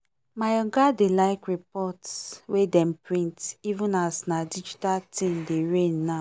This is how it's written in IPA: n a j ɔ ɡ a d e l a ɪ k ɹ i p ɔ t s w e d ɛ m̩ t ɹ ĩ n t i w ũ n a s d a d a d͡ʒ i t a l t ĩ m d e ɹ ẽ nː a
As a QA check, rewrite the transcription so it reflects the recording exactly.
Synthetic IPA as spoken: m a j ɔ ɡ a d e l a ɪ k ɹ i p ɔ t s w e d ɛ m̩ p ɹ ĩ n t i v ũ n a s n a d i d͡ʒ i t a l t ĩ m d e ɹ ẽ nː a

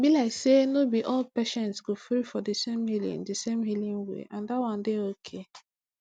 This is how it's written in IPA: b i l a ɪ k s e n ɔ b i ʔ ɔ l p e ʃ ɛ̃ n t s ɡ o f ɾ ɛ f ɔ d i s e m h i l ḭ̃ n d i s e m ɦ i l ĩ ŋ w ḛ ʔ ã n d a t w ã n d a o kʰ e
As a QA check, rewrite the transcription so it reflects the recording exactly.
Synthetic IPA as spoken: b i l a ɪ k s e n o b i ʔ ɔ l p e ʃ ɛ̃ n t s ɡ o f ɾ i f ɔ d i s e m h i l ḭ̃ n d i s e m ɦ i l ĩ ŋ w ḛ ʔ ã n d a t w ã n d e o kʰ e

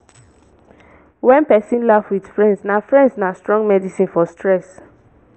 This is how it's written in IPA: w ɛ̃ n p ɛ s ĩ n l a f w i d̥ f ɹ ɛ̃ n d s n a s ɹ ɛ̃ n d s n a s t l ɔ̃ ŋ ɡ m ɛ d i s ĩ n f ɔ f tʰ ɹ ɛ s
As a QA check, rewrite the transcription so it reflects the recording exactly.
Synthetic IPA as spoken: w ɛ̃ n p ɛ s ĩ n l a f w i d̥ f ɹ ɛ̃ n d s n a f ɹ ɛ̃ n d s n a s t ɹ ɔ̃ ŋ ɡ m ɛ d i s ĩ n f ɔ s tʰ ɹ ɛ s

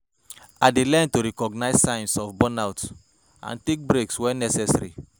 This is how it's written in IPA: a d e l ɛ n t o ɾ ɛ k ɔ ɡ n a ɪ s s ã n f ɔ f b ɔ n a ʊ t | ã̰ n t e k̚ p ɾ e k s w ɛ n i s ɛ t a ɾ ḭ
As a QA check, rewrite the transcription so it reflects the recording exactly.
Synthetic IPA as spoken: a d e l ɛ n t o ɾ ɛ k ɔ ɡ n a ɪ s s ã n s ɔ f b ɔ n a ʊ t | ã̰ n t e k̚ b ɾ e k s w ɛ n ɛ s ɛ s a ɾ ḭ

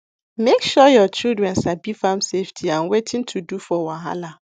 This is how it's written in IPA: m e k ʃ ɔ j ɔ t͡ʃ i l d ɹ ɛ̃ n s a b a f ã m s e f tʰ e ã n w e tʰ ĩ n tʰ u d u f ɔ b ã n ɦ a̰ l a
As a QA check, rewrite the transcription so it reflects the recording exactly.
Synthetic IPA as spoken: m e k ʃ ɔ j ɔ t͡ʃ i l d ɹ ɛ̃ n s a b i f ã m s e f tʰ i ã n w e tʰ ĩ n tʰ u d u f ɔ w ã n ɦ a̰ l a

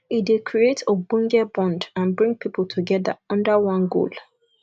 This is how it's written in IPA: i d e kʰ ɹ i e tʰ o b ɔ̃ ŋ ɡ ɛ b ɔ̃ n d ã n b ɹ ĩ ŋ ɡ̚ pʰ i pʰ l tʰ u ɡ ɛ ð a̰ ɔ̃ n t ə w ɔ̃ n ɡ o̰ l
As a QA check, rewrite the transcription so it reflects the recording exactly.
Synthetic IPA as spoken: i d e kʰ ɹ i e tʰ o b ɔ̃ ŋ ɡ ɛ b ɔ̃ n d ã n b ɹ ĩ ŋ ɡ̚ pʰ i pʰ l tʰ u ɡ ɛ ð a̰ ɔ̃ n d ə w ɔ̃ n ɡ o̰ l

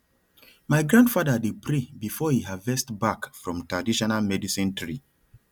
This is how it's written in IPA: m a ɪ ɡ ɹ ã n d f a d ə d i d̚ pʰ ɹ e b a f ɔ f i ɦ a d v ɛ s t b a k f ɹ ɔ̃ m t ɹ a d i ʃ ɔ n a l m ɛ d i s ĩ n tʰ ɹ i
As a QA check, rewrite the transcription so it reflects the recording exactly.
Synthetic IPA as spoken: m a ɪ ɡ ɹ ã n d f a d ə d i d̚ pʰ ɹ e b i f ɔ h i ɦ a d v ɛ s t b a k f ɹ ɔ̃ m t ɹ a d i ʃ ɔ n a l m ɛ d i s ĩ n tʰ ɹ i

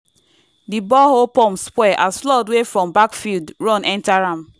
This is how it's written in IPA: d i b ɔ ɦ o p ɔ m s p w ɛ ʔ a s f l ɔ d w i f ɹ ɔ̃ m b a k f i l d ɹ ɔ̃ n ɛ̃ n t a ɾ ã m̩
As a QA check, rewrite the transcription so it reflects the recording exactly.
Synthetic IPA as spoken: d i b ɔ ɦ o p ɔ m s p w ɛ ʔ a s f l ɔ d w e f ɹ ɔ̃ m b a k f i l d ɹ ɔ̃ n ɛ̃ n t a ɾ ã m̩

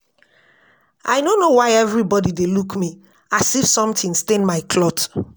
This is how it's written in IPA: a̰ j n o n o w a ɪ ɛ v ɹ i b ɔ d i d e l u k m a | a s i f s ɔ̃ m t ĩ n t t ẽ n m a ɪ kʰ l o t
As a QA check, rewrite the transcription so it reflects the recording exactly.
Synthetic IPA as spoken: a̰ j n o n o w a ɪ ɛ v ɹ i b ɔ d i d e l u k m i | a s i f s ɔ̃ m t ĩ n s t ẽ n m a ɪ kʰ l ɔ t

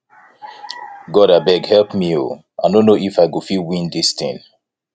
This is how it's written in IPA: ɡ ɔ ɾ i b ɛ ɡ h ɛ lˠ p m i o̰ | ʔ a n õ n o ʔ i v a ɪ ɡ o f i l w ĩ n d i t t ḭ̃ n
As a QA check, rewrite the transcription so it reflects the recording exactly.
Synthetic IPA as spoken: ɡ ɔ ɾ a b ɛ ɡ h ɛ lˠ p m i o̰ | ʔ a n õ n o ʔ i f a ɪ ɡ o f i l w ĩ n d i s t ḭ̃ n

